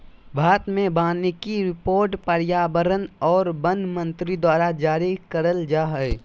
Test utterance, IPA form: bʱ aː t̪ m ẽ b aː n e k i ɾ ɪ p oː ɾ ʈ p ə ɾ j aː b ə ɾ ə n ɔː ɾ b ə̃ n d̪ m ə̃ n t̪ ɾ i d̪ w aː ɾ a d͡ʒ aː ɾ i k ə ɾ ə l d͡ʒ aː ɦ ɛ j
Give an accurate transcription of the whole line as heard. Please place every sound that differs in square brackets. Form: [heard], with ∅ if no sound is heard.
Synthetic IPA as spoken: bʱ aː t̪ m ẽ b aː n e k i ɾ ɪ p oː ɾ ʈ p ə ɾ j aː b ə ɾ ə n ɔː ɾ b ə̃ n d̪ m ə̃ n t̪ ɾ i d̪ w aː ɾ a d͡ʒ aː ɾ i k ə ɾ ə l d͡ʒ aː ɦ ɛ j